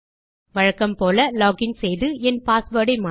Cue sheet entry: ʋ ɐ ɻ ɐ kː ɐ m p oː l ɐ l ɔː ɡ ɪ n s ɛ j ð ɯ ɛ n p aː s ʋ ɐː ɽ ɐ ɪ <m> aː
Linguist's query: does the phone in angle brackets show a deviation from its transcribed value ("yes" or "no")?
no